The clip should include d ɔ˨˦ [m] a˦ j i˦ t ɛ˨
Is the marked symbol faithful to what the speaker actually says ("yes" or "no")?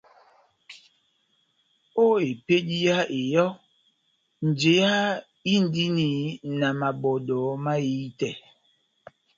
yes